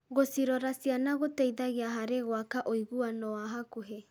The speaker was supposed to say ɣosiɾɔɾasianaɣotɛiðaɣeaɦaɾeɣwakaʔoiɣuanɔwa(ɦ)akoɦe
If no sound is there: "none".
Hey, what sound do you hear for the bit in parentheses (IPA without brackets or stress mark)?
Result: ɦ